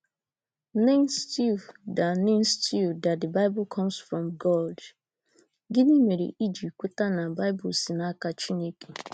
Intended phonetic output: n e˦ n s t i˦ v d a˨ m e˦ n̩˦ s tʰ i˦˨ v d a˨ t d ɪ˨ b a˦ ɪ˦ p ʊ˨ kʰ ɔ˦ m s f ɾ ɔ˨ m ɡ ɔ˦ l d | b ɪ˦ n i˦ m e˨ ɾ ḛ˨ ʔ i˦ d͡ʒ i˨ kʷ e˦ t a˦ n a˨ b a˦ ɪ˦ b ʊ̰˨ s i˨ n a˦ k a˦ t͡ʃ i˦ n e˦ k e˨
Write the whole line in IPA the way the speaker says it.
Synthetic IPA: n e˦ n s t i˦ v d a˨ n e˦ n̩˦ s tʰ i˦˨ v d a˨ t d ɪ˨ b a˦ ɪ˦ b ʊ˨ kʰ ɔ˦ m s f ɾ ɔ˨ m ɡ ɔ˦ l d | ɡ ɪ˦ n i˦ m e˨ ɾ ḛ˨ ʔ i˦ d͡ʒ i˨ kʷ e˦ t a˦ n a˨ b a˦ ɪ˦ b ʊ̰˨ s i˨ n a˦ k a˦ t͡ʃ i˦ n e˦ k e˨

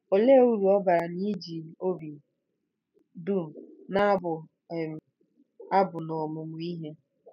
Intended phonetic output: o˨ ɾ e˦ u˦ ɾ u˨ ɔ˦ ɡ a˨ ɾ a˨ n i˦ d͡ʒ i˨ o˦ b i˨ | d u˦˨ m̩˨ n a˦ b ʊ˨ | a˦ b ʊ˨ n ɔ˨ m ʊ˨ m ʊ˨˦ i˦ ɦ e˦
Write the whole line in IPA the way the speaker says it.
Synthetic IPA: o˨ l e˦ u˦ ɾ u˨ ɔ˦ b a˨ ɾ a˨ n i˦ d͡ʒ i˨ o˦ b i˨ | d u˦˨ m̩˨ n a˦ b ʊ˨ | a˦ b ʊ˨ n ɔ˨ m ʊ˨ m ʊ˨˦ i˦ ɦ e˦

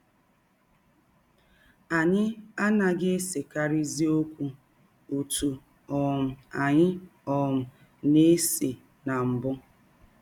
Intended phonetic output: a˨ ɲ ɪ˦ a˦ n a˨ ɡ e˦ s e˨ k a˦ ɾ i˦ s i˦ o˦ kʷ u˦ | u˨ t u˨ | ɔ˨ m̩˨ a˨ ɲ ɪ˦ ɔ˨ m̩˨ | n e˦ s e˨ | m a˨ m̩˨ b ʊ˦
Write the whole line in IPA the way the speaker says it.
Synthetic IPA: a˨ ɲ ɪ˦ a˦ n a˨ ɡ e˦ s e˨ k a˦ ɾ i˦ z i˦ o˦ kʷ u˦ | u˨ t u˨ | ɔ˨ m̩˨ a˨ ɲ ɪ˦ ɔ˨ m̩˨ | n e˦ s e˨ | n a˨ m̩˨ b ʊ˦

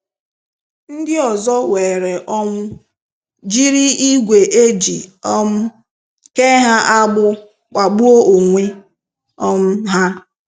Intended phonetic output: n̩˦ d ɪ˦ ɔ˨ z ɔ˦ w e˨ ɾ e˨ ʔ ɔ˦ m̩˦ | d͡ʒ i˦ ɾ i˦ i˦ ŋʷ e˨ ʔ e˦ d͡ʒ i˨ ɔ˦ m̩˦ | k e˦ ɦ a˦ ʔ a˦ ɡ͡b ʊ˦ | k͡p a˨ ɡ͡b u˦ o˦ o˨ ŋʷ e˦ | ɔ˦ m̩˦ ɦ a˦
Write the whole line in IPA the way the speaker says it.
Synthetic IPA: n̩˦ d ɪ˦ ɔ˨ z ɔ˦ w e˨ ɾ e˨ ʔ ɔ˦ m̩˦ | d͡ʒ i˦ ɾ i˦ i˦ ɡʷ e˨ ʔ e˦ d͡ʒ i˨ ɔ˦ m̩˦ | k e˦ ɦ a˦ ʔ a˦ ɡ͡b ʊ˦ | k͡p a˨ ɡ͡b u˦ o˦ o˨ ŋʷ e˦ | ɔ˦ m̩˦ ɦ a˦

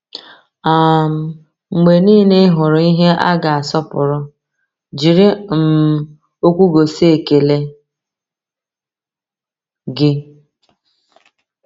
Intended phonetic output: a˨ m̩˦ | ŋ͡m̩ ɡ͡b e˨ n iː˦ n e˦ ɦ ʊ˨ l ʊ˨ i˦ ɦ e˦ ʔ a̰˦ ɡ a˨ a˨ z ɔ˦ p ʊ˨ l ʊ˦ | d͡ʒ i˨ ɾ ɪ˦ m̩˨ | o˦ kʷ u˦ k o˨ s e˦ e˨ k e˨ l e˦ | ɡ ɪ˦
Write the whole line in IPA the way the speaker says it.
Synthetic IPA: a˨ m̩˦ | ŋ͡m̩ ɡ͡b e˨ n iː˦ n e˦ ɦ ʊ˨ ɾ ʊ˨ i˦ ɦ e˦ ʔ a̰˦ ɡ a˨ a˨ s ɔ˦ p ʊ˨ ɾ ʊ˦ | d͡ʒ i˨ ɾ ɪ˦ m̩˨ | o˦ kʷ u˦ ɡ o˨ s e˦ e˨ k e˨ l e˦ | ɡ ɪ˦

